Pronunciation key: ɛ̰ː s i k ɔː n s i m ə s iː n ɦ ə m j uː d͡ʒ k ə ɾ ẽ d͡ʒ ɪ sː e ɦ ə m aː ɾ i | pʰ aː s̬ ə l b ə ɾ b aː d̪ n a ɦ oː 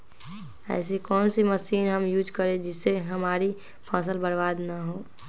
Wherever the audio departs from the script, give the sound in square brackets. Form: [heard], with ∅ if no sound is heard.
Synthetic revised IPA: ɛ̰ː s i k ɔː n s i m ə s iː n ɦ ə m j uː d͡ʒ k ə ɾ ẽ d͡ʒ ɪ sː e ɦ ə m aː ɾ i | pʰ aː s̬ ə l b ə ɾ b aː d̪ n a ɦ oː

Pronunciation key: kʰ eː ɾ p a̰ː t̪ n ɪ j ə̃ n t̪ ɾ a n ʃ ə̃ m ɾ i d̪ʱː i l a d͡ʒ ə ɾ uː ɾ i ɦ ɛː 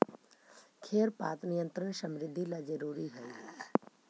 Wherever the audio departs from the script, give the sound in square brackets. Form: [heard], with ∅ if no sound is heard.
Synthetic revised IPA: kʰ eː ɾ p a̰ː t̪ n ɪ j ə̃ n t̪ ɾ [ə] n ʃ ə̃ m ɾ [ɪ] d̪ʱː i l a d͡ʒ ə ɾ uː ɾ i ɦ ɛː

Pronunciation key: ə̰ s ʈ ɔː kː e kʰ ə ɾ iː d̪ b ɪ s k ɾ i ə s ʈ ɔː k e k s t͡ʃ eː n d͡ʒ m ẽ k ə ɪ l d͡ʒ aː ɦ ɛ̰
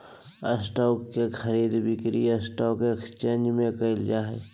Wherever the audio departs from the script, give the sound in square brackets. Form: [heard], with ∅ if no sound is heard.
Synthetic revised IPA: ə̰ s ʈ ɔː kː e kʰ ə ɾ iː d̪ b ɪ [∅] k ɾ i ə s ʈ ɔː k e k s t͡ʃ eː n d͡ʒ m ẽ k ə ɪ l d͡ʒ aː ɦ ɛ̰

